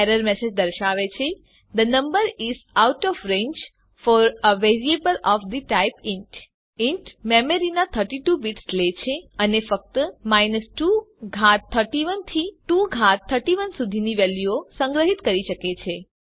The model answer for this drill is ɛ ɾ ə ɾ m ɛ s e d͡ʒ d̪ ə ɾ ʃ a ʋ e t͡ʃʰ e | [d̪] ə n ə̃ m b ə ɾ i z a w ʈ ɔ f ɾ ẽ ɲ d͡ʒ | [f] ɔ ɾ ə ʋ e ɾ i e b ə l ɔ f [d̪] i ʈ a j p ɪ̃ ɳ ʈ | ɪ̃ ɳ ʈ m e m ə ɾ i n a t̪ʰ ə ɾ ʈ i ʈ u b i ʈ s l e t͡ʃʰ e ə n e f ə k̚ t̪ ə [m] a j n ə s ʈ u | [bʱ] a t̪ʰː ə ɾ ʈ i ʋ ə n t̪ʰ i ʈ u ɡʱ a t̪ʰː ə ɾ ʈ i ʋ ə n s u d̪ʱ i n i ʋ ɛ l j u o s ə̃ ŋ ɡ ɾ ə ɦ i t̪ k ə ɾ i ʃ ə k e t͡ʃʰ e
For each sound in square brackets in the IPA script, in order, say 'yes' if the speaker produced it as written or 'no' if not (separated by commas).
yes, yes, yes, yes, no